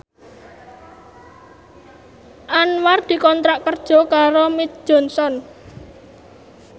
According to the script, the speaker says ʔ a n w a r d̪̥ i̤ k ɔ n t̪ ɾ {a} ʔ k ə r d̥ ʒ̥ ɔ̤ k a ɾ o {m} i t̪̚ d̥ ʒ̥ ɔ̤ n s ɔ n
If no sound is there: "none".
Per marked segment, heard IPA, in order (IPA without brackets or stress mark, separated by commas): a, m